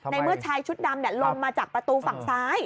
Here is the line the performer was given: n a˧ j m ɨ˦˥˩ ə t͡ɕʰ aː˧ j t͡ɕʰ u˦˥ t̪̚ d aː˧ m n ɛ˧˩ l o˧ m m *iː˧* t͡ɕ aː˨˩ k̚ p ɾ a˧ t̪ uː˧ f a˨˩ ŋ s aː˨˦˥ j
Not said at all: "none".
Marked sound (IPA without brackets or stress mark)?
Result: aː˧